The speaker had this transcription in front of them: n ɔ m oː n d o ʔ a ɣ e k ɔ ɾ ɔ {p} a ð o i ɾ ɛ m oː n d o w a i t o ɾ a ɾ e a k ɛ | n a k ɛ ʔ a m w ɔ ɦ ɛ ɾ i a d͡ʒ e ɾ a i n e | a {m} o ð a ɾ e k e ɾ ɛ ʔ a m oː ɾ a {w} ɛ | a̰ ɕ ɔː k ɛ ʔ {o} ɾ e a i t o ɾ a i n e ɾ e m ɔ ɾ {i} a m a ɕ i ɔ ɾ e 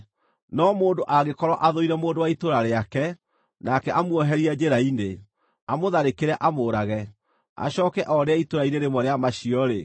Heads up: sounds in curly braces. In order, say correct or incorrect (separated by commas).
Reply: incorrect, correct, incorrect, incorrect, incorrect